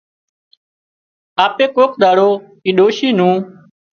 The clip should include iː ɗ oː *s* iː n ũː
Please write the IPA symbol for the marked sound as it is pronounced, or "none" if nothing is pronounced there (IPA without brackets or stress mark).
ʃ